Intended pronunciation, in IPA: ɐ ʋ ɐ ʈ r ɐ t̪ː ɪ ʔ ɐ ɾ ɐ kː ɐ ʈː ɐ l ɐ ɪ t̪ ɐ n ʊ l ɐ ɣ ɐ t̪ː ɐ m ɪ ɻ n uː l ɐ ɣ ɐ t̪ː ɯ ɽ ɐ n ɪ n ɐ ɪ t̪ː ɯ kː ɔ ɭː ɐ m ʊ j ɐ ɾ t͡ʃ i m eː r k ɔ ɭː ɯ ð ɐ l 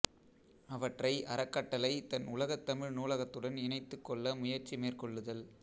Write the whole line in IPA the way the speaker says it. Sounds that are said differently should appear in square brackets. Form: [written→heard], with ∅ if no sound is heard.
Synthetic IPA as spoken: ɐ ʋ ɐ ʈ r ɐ [t̪ː→∅] ɪ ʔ ɐ ɾ ɐ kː ɐ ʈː ɐ l ɐ ɪ t̪ ɐ n ʊ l ɐ ɣ ɐ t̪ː ɐ m ɪ ɻ n uː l ɐ ɣ ɐ t̪ː ɯ ɽ ɐ n ɪ n ɐ ɪ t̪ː ɯ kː ɔ ɭː ɐ m ʊ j ɐ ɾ t͡ʃ i m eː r k ɔ ɭː ɯ ð ɐ l